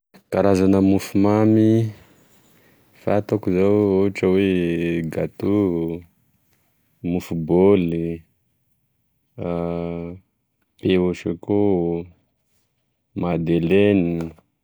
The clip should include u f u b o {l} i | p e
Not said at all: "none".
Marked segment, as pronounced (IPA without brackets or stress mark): l